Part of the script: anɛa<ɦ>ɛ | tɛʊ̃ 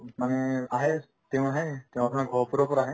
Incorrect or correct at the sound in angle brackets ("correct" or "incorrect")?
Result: correct